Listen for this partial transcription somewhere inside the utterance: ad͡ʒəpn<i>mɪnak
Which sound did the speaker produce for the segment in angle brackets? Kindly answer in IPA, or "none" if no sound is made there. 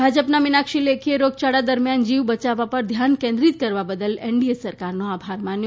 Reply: a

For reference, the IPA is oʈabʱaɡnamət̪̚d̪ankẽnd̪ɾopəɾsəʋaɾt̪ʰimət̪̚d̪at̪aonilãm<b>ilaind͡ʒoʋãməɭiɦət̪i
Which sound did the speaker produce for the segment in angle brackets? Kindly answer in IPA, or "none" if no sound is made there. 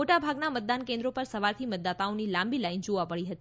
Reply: b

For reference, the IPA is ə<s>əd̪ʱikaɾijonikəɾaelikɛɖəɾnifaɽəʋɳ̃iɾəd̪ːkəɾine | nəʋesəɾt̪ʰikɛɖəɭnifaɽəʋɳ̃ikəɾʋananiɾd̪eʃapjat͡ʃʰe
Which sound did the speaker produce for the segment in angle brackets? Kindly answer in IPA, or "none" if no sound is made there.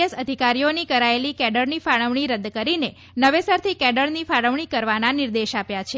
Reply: s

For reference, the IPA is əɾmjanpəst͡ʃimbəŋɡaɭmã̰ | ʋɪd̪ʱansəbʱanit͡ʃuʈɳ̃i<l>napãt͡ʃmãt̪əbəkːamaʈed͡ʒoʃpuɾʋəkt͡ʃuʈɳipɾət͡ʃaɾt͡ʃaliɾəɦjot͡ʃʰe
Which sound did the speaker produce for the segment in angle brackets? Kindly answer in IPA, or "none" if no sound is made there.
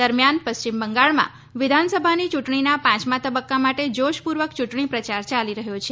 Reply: none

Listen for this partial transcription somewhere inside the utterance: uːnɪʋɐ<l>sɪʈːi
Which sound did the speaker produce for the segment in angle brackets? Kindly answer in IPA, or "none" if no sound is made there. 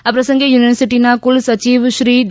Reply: ɾ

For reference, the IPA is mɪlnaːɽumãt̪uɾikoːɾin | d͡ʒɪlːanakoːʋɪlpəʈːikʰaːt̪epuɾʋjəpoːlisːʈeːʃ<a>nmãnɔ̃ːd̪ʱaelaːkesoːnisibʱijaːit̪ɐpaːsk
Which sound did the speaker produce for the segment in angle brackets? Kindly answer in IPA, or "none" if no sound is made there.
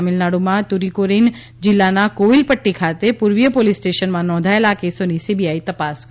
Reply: ə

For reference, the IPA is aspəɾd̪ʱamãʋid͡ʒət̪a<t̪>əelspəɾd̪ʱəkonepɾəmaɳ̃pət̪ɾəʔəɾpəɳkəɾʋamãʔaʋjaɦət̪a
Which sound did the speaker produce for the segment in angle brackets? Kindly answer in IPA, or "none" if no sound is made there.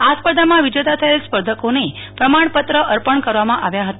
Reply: t̪ʰ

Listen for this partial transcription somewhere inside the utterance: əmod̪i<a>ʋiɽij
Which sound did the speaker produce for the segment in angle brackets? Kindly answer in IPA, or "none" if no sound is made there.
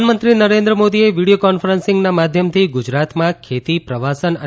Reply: e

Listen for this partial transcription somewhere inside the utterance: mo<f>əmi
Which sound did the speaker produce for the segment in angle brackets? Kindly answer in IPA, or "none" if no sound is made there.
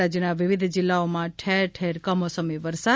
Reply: s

